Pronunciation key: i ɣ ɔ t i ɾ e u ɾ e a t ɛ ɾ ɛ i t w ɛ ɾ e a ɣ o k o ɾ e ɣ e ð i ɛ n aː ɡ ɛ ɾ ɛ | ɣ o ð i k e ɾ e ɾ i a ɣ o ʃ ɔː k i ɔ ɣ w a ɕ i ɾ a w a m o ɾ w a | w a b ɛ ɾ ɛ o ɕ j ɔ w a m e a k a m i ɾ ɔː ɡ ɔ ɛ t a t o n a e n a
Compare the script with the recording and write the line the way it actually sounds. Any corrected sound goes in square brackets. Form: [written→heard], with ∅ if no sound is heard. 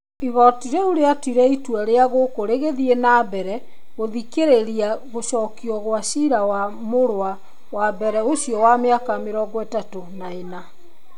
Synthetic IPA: i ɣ ɔ t i ɾ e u ɾ e a t [ɛ→i] ɾ ɛ i t w ɛ ɾ e a ɣ o k o ɾ e ɣ e ð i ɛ n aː [ɡ→b] ɛ ɾ ɛ | ɣ o ð i k e ɾ e ɾ i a ɣ o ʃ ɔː k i ɔ ɣ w a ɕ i ɾ a w a m o ɾ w a | w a b ɛ ɾ ɛ o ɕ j ɔ w a m e a k a m [i→e] ɾ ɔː ɡ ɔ ɛ t a t o n a e n a